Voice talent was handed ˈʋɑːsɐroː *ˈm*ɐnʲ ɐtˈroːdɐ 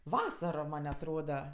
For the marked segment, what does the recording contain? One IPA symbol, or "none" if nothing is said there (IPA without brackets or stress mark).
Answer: m